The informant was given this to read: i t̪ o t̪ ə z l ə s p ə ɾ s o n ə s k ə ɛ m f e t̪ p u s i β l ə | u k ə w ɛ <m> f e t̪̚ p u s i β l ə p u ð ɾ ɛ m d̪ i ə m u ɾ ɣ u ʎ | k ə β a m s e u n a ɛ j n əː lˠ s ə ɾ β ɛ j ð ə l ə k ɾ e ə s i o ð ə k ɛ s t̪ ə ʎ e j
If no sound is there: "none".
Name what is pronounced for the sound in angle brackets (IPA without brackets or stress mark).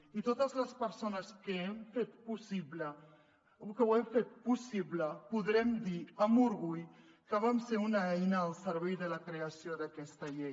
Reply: m